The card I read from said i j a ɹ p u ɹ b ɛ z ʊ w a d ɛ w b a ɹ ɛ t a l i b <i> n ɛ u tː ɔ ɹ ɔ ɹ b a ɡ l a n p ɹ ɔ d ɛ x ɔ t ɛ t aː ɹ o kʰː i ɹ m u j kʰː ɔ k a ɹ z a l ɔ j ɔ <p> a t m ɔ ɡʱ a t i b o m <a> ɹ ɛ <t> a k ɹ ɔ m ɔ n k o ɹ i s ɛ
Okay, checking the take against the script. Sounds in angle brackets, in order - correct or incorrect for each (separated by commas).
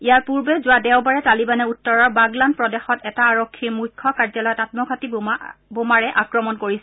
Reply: incorrect, incorrect, correct, incorrect